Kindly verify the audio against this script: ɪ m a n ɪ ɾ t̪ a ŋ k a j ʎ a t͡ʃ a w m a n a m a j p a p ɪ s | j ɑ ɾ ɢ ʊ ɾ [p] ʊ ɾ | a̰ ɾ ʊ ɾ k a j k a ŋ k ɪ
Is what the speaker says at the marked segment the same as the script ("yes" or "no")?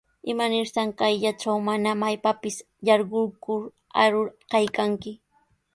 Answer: no